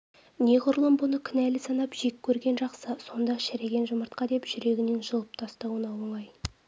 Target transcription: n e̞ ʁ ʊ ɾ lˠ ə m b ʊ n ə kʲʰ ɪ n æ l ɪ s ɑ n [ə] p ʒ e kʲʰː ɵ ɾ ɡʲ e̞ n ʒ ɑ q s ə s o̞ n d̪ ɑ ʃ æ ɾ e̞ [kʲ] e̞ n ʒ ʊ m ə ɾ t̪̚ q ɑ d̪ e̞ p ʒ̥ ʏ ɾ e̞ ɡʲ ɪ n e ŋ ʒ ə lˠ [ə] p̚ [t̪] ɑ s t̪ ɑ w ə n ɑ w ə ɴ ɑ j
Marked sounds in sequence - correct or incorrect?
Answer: incorrect, incorrect, correct, incorrect

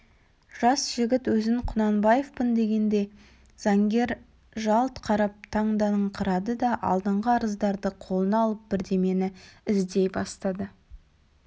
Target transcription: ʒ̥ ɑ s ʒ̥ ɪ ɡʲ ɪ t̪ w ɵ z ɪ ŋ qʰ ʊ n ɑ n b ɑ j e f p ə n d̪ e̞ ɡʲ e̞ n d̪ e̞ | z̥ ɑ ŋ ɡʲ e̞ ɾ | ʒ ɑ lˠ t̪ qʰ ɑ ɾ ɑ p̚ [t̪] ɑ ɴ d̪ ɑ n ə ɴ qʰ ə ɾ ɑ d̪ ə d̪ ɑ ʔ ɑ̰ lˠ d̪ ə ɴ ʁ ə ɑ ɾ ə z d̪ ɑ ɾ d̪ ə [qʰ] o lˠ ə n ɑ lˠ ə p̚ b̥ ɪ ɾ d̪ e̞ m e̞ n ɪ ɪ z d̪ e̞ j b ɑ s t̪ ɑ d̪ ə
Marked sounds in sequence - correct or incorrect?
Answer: incorrect, correct

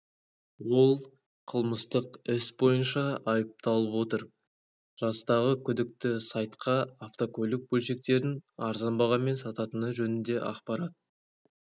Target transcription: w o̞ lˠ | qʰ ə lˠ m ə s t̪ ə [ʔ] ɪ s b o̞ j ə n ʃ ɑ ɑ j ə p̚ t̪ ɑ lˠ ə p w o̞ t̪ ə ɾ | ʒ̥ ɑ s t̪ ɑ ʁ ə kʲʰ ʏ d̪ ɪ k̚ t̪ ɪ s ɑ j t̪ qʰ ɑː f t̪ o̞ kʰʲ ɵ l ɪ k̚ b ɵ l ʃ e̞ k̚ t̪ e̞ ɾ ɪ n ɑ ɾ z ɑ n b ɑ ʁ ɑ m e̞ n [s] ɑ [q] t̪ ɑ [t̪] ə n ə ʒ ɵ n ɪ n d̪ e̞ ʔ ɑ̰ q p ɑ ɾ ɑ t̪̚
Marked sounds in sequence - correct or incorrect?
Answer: incorrect, correct, incorrect, correct

